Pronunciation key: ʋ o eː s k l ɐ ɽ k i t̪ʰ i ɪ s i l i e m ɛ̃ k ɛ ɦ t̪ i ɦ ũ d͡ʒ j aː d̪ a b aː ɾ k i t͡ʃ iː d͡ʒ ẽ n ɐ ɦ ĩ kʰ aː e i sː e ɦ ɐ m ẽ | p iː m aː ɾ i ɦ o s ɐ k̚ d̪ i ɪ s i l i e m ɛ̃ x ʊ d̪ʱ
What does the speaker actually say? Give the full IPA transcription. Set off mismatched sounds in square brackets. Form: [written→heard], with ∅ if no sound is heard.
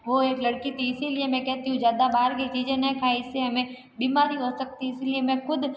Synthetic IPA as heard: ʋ o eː [s→∅] k l ɐ ɽ k i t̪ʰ i ɪ s i l i e m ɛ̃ k ɛ ɦ t̪ i ɦ ũ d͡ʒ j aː d̪ a b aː ɾ k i t͡ʃ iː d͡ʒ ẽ n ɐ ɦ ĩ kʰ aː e [i→ɪ] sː e ɦ ɐ m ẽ | [p→b] iː m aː ɾ i ɦ o s ɐ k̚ [d̪→t̪] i ɪ s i l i e m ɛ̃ x ʊ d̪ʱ